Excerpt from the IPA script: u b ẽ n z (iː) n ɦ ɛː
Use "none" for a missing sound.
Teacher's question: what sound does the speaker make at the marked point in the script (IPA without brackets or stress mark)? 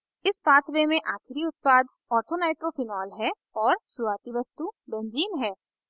iː